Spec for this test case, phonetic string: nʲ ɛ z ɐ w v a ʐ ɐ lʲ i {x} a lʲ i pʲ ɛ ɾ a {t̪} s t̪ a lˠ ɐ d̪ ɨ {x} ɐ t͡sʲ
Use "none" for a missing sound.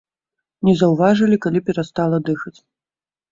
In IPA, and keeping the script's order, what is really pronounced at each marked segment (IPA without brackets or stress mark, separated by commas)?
k, none, x